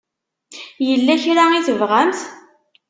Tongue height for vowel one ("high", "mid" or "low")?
mid